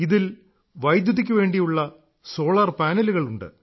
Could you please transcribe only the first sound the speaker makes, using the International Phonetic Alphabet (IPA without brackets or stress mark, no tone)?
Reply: i